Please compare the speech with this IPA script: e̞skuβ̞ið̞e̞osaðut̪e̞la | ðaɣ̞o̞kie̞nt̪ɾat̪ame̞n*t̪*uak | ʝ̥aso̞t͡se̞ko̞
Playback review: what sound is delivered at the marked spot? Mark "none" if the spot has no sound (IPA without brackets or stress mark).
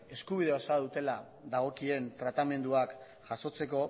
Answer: d̪